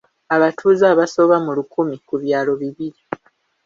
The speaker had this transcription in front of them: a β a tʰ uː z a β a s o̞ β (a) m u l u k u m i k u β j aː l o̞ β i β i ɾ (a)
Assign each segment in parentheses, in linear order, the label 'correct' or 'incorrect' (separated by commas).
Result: correct, incorrect